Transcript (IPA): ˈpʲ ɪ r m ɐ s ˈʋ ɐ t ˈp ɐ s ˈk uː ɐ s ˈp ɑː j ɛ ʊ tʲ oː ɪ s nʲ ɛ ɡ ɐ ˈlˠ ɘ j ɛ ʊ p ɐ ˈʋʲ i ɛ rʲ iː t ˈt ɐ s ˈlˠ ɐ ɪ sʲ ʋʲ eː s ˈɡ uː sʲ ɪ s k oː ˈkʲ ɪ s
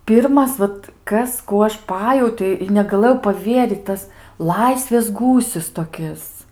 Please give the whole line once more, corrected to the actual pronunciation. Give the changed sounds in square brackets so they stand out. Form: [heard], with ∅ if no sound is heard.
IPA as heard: ˈpʲ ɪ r m ɐ s ˈʋ ɐ t [ˈk] ɐ s ˈk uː ɐ [ʃ] ˈp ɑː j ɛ ʊ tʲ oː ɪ [∅] nʲ ɛ ɡ ɐ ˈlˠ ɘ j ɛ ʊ p ɐ ˈʋʲ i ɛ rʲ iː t ˈt ɐ s ˈlˠ ɐ ɪ sʲ ʋʲ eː s ˈɡ uː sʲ ɪ s [t] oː ˈkʲ ɪ s